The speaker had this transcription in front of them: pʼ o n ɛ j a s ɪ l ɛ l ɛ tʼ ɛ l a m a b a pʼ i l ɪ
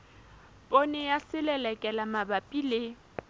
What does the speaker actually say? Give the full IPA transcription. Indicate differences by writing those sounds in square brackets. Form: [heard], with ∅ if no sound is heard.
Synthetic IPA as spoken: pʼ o n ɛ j a s ɪ l ɛ l ɛ [kʼ] ɛ l a m a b a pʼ i l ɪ